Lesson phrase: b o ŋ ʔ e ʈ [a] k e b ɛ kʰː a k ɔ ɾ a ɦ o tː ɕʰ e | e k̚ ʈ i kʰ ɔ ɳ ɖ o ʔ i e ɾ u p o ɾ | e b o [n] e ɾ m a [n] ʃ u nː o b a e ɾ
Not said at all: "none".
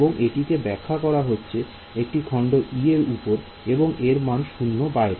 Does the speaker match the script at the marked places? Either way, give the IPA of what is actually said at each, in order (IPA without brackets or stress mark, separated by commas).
i, ŋ, n